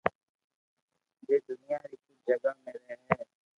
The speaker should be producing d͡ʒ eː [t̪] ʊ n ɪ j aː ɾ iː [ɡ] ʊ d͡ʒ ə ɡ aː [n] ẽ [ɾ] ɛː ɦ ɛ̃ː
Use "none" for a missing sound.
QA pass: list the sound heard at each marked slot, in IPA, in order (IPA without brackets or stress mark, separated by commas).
d̪, k, m, ɾ